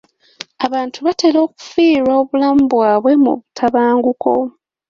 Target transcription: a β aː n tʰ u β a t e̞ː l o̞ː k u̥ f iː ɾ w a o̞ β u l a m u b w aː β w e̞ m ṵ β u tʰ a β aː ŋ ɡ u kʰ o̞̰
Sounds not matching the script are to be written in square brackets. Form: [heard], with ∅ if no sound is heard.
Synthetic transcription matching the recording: a β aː n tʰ u β a t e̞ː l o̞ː k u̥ f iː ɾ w a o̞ β u l a m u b w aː β w e̞ m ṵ β u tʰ a β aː ŋ ɡ u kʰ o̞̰